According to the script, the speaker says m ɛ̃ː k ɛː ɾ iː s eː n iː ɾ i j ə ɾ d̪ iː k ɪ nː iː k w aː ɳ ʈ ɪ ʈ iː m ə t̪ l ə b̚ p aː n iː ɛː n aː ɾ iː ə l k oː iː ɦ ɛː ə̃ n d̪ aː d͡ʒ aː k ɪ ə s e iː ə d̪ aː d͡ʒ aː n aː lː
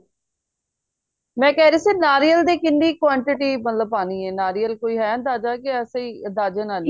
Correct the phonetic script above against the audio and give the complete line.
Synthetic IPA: m ɛ̃ː k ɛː ɾ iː s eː n aː ɾ i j ə l d̪ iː k ɪ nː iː k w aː ɳ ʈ ɪ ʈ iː m ə t̪ l ə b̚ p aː n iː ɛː n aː ɾ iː ə l k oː iː ɦ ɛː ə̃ n d̪ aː d͡ʒ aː k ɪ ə s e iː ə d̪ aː d͡ʒ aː n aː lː